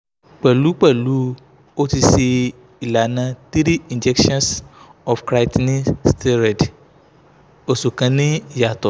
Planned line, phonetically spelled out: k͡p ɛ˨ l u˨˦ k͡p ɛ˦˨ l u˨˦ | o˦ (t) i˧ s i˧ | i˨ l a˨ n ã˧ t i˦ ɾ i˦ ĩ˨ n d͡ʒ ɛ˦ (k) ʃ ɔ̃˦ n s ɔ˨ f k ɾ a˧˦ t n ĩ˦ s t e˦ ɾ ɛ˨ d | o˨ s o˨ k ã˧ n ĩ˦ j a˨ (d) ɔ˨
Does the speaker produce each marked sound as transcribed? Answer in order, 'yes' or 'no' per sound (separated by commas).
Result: yes, yes, no